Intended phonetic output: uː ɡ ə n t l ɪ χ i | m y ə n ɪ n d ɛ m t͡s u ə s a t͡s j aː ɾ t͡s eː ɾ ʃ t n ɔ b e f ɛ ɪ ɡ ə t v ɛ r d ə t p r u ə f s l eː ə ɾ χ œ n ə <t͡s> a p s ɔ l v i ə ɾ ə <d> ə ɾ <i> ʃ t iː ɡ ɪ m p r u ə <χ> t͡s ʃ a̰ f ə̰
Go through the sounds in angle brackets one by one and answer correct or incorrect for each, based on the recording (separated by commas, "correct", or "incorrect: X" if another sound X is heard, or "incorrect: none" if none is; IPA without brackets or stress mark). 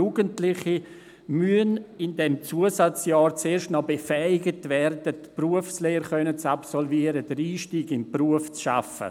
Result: correct, correct, incorrect: iː, incorrect: f